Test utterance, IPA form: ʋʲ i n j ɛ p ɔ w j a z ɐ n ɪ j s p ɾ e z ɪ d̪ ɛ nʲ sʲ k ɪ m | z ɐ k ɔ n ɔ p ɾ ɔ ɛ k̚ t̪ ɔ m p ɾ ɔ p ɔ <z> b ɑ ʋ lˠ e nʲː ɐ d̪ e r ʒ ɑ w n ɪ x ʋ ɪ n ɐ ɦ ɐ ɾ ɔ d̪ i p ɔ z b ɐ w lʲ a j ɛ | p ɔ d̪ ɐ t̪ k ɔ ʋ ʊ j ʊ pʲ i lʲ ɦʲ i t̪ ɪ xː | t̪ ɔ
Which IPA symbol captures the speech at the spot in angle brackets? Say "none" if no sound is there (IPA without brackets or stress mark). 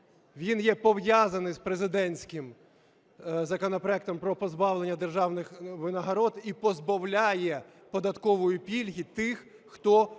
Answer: z